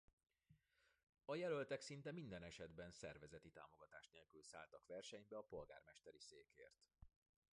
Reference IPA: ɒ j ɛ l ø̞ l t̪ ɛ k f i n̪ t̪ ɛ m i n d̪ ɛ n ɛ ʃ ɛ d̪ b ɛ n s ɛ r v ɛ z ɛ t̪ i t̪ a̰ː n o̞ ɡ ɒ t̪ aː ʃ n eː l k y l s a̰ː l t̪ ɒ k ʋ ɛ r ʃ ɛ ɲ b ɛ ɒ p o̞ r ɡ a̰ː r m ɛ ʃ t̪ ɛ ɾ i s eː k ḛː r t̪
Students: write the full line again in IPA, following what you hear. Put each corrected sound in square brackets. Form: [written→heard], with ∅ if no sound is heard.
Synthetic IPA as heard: ɒ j ɛ l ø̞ l t̪ ɛ k [f→s] i n̪ t̪ ɛ m i n d̪ ɛ n ɛ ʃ ɛ d̪ b ɛ n s ɛ r v ɛ z ɛ t̪ i t̪ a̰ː [n→m] o̞ ɡ ɒ t̪ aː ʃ n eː l k y l s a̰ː l t̪ ɒ k ʋ ɛ r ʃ ɛ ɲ b ɛ ɒ p o̞ [r→l] ɡ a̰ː r m ɛ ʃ t̪ ɛ ɾ i s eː k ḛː r t̪